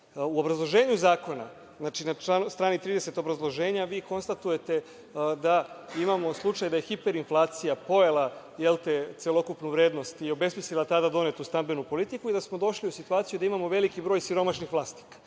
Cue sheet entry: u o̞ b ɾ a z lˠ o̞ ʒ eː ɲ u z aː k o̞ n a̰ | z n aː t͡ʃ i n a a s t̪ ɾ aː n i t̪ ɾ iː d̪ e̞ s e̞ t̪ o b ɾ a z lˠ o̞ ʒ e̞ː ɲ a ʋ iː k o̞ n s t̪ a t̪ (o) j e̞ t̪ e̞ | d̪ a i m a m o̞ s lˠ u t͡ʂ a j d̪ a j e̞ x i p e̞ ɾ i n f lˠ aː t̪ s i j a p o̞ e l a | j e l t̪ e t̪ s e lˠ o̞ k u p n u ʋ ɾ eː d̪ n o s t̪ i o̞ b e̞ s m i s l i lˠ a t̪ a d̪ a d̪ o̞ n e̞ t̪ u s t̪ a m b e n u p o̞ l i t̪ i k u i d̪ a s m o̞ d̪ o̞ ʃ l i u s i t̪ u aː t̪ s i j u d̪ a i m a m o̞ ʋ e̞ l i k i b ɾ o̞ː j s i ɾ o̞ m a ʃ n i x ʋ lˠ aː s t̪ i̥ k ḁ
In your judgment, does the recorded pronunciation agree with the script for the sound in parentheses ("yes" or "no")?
no